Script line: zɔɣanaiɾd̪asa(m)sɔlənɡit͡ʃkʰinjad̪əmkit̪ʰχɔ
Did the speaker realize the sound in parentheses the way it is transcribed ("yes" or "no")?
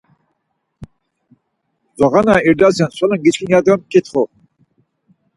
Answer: no